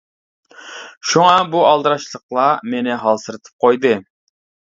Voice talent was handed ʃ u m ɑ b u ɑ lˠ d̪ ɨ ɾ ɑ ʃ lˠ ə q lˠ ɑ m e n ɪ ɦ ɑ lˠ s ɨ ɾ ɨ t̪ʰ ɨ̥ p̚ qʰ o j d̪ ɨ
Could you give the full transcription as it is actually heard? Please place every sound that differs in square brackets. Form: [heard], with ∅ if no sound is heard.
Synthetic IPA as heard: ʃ u [ŋ] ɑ b u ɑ lˠ d̪ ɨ ɾ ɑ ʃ lˠ ə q lˠ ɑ m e n ɪ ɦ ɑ lˠ s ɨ ɾ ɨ t̪ʰ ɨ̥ p̚ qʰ o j d̪ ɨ